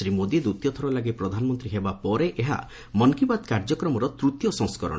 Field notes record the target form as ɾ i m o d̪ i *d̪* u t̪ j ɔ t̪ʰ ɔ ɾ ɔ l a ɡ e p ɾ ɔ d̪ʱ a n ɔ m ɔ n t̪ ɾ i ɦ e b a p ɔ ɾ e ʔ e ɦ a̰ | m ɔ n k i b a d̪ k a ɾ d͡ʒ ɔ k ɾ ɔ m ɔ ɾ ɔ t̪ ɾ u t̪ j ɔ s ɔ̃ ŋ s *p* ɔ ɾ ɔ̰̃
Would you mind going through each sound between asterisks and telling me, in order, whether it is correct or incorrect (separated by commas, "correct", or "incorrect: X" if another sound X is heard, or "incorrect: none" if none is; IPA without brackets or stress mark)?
correct, incorrect: k